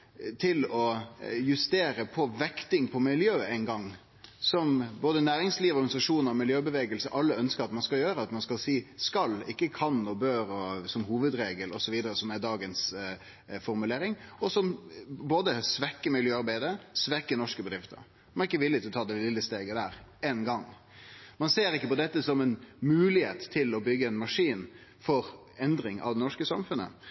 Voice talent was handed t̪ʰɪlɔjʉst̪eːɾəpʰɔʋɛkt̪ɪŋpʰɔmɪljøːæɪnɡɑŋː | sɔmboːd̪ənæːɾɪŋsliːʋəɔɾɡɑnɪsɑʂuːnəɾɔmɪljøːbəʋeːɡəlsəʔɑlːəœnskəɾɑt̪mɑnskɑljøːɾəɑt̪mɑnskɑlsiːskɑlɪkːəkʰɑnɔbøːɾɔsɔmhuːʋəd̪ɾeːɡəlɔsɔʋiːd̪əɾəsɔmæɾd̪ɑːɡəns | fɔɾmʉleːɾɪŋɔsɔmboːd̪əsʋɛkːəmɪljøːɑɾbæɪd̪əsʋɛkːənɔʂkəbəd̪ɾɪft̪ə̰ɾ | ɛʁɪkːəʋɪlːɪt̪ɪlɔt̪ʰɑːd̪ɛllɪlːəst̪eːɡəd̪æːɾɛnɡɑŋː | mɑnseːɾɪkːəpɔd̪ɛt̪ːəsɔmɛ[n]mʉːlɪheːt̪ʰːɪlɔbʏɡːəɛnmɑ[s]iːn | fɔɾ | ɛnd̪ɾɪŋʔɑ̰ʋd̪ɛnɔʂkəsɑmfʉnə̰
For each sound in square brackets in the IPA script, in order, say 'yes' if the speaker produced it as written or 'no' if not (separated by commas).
yes, no